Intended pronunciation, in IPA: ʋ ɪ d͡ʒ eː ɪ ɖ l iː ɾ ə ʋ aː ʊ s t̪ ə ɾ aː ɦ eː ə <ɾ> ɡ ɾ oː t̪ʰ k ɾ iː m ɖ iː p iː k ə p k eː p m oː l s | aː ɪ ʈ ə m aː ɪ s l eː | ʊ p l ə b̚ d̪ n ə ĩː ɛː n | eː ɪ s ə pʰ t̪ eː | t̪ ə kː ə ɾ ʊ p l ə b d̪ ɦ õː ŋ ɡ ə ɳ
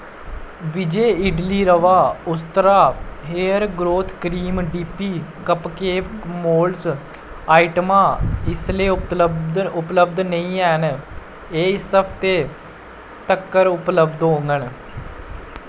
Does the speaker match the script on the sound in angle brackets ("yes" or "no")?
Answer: yes